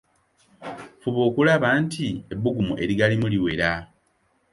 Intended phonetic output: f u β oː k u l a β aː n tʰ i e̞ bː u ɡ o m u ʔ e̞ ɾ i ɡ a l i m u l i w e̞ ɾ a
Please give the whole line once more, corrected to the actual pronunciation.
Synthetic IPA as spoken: f u β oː k u l a β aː n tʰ i e̞ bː u ɡ u m u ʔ e̞ ɾ i ɡ a l i m u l i w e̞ ɾ a